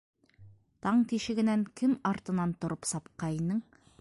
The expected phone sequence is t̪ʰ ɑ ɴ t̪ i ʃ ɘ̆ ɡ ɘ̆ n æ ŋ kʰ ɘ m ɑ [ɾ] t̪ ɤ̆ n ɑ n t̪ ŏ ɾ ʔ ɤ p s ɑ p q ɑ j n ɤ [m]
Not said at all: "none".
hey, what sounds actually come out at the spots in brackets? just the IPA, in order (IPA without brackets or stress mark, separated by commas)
ɾ, ɴ